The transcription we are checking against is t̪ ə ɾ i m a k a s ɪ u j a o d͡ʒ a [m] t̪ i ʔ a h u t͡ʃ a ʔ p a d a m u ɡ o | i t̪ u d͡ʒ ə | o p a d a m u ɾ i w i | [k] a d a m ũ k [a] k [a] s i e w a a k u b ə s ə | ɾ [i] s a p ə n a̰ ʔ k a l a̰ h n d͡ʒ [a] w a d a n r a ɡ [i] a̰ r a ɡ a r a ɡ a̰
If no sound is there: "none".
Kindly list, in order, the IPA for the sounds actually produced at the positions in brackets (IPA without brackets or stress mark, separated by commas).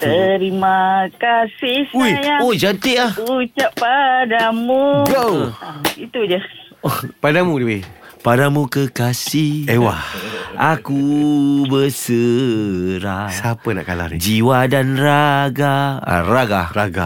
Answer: n, p, ə, a, a, i, a